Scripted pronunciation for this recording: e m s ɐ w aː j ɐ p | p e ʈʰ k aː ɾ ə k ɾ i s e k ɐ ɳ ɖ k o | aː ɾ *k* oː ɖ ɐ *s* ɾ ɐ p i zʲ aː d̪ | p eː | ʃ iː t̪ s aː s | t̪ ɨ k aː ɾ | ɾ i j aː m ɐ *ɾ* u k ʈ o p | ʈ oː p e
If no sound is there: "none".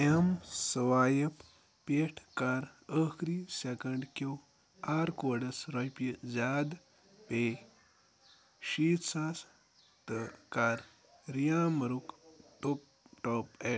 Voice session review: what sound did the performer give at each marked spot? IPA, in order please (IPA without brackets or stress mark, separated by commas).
k, s, ɾ